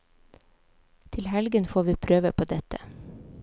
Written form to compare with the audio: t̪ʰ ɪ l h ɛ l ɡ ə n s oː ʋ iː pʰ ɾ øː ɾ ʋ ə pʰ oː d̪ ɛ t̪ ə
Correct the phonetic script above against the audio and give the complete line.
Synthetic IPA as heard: t̪ʰ ɪ l h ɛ l ɡ ə n f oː ʋ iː pʰ ɾ øː ʋ ə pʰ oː d̪ ɛ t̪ ə